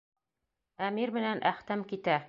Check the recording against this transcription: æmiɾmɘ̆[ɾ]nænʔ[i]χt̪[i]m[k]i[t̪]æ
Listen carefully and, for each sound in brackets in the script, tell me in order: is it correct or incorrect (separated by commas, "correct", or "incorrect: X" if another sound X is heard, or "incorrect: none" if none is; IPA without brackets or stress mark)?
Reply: incorrect: none, incorrect: æ, incorrect: æ, correct, correct